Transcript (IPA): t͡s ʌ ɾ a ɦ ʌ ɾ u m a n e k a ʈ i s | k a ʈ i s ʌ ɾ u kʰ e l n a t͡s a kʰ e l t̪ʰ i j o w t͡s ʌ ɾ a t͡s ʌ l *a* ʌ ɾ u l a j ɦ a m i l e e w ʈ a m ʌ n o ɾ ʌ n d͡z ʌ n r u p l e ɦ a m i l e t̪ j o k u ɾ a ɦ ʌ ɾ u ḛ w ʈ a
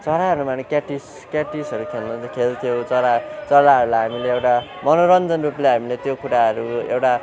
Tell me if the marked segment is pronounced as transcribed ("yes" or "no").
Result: yes